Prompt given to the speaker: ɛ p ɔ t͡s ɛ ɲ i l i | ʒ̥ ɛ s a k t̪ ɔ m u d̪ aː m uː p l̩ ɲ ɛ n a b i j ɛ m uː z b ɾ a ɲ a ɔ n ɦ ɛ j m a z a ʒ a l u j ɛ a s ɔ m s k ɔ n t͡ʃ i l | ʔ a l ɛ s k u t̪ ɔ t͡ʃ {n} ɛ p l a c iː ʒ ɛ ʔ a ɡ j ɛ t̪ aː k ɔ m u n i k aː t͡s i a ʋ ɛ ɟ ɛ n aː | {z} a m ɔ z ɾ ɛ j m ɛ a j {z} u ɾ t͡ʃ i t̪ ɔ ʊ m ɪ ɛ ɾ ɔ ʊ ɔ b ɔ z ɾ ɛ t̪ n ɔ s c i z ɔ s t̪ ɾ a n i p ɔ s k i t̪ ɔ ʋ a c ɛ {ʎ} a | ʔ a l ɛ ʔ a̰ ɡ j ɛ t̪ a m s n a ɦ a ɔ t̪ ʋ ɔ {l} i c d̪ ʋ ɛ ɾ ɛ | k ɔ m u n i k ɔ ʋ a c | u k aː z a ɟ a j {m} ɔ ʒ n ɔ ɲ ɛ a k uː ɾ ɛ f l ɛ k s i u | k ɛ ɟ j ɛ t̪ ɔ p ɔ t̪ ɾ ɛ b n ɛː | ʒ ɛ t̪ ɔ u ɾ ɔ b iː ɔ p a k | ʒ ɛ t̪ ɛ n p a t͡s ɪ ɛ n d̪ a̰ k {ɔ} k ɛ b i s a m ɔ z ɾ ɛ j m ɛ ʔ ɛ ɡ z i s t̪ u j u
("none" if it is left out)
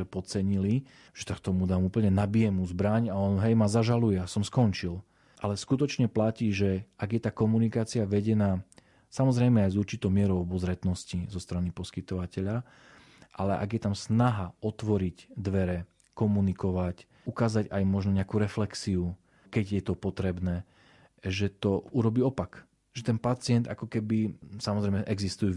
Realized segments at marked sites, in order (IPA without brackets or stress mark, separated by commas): ɲ, s, z, ʎ, ɾ, m, ɔ